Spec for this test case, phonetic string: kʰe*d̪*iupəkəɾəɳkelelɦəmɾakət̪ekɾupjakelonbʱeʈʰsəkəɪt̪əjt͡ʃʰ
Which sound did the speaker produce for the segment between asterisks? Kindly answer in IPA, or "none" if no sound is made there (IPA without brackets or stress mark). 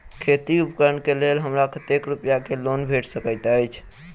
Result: t̪